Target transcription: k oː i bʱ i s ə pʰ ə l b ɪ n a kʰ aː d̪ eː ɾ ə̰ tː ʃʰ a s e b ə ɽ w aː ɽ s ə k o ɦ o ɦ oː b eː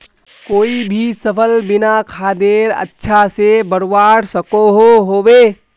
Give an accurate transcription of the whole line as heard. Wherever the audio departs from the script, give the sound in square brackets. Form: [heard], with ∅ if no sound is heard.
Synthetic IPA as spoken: k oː i bʱ i s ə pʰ ə l b ɪ n a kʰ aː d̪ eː ɾ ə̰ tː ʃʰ a s e b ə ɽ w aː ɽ s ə k o ɦ o ɦ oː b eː